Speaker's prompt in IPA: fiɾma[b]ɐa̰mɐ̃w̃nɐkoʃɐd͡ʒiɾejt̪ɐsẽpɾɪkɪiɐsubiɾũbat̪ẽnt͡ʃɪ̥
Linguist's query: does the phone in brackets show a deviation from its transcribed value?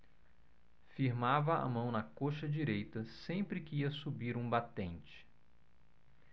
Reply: yes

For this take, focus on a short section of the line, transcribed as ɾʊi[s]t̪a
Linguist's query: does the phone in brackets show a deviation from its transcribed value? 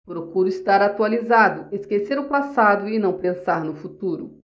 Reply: no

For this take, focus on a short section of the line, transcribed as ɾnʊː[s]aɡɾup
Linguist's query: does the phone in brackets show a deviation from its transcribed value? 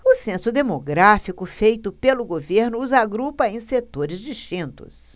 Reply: yes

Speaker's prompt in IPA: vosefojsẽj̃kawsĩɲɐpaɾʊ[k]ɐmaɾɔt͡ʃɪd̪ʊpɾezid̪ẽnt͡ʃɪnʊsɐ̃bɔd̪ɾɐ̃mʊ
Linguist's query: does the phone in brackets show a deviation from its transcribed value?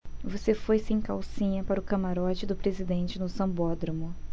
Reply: no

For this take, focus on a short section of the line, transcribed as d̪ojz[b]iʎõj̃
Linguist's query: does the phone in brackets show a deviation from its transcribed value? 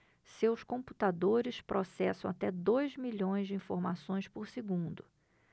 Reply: yes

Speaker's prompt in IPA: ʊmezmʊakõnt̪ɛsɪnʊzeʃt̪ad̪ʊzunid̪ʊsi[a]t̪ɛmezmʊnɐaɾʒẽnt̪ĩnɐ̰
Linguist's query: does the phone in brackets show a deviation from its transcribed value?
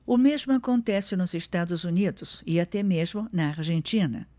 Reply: no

